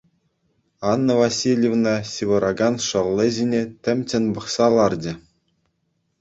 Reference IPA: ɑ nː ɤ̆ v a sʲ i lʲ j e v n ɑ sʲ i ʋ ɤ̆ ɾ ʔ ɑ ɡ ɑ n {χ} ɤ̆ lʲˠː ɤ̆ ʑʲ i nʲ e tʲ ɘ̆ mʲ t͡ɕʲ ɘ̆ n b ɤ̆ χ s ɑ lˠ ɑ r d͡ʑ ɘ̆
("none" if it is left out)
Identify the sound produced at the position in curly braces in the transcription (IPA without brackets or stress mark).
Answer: ʂ